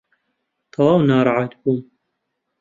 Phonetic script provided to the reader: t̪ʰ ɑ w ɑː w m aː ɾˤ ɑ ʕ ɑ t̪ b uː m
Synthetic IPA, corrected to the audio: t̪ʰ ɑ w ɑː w n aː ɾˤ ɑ ʕ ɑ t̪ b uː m